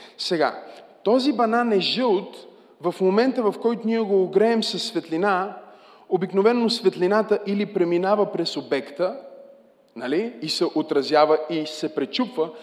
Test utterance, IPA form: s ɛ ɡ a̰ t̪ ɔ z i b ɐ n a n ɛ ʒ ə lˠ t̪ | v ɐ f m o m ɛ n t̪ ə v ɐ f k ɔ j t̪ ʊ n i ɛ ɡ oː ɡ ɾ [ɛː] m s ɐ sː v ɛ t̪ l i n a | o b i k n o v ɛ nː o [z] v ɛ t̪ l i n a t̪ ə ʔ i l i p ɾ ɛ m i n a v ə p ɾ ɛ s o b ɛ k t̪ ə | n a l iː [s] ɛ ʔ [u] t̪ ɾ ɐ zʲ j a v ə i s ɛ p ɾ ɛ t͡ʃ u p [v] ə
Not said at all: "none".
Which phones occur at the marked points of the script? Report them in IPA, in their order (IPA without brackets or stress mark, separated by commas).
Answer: ɛː, s, s, o, v